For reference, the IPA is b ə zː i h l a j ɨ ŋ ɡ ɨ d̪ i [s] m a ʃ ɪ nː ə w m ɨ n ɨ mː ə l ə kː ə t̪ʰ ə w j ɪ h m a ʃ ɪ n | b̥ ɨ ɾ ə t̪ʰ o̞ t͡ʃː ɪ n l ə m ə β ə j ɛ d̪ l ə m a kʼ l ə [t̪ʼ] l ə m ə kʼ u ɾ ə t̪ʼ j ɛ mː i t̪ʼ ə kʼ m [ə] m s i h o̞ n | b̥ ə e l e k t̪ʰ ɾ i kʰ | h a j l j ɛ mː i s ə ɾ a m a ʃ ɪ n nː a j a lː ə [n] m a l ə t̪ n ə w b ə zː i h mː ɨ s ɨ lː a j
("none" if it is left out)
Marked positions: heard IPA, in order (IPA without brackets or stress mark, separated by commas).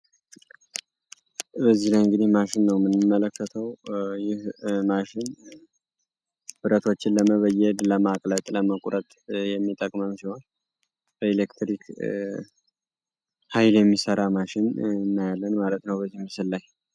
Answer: h, t̪ʼ, ə, n